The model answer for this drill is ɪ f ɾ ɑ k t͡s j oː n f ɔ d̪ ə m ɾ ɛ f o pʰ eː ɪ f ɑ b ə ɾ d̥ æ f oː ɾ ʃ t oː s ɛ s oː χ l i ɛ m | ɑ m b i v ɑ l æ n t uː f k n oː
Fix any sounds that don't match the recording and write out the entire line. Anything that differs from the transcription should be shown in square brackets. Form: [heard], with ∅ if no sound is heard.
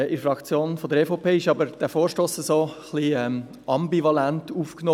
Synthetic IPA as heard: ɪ f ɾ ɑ k t͡s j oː n f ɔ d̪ ə [∅] ɾ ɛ f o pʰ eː ɪ [ʃ] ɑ b ə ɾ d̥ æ f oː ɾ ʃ t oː s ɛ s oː χ l i ɛ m | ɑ m b i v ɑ l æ n t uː f k n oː